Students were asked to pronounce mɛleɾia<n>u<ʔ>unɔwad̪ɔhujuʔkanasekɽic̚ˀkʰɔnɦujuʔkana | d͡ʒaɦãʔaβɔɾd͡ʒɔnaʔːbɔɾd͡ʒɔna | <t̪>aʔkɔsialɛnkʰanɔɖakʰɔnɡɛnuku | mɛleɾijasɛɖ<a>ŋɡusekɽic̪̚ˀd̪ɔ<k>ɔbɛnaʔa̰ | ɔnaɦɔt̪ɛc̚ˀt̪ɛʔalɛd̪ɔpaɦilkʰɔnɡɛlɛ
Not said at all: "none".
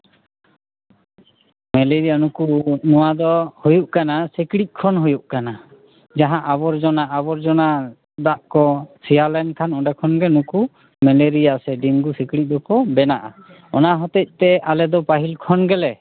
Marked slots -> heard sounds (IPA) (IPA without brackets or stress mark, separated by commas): n, k, d̪, i, k